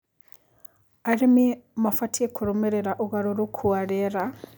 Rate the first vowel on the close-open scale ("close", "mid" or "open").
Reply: open